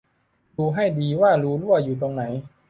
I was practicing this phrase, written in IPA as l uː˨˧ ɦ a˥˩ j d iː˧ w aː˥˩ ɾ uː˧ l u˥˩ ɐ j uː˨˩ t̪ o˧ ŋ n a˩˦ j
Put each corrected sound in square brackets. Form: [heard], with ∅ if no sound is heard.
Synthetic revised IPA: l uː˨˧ ɦ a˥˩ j d iː˧ w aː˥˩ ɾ [uː˦˥] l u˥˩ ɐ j uː˨˩ t̪ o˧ ŋ n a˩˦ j